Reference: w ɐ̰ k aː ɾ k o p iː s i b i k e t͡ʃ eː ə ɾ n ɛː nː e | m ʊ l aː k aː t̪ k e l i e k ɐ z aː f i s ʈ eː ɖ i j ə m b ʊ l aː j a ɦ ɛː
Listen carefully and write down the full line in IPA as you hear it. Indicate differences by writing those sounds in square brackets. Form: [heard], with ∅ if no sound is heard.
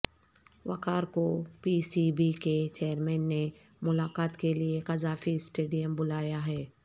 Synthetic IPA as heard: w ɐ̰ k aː ɾ k o p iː s i b i k e t͡ʃ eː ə ɾ [m] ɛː nː e | m ʊ l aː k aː t̪ k e l i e k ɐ z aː f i s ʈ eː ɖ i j ə m b ʊ l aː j a ɦ ɛː

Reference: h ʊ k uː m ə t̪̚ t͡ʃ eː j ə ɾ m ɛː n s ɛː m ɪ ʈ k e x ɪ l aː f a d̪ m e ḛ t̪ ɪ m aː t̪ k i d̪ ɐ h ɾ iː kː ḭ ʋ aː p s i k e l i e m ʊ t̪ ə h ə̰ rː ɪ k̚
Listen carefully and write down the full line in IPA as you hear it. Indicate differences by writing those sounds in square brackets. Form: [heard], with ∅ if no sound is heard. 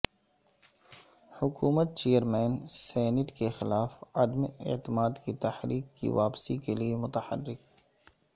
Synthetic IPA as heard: h ʊ k uː m ə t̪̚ t͡ʃ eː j ə ɾ m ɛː n s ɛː [n] ɪ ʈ k e x ɪ l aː f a d̪ m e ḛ t̪ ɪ m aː [d̪] k i [t̪] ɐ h ɾ iː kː ḭ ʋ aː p s i k e l i e m ʊ t̪ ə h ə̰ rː ɪ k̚

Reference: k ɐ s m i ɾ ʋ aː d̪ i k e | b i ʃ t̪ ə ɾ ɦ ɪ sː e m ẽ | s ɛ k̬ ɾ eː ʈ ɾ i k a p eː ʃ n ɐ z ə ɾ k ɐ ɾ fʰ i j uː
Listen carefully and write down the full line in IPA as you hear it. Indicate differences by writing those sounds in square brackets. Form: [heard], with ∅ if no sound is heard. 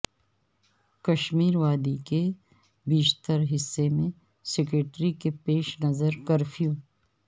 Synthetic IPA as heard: k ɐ [ʃ] m [iː] ɾ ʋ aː d̪ i k e | b [iː] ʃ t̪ ə ɾ ɦ ɪ sː e m ẽ | s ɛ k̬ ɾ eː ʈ ɾ i k [e] p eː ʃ n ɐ z ə ɾ k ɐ ɾ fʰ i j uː

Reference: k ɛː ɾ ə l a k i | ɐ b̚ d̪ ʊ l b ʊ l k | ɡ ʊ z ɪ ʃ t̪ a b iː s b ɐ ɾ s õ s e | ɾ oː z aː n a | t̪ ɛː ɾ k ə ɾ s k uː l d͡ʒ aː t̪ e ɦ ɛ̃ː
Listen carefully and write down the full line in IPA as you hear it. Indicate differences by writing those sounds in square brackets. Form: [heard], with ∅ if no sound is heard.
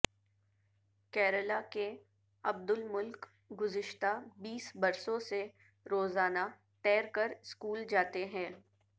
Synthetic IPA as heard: k ɛː ɾ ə l a k [e] | ɐ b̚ d̪ ʊ l [m] ʊ l k | ɡ ʊ z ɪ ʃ t̪ a b iː s b ɐ ɾ s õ s e | ɾ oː z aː n a | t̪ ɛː ɾ k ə ɾ s k uː l d͡ʒ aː t̪ e ɦ ɛ̃ː

